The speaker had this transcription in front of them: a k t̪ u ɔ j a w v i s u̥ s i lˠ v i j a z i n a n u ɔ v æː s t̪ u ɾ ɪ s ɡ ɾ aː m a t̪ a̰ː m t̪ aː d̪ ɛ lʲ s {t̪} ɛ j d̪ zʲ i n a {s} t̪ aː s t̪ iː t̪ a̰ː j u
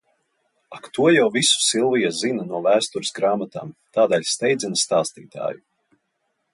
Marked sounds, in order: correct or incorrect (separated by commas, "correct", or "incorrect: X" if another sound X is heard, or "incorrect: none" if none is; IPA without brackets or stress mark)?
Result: correct, correct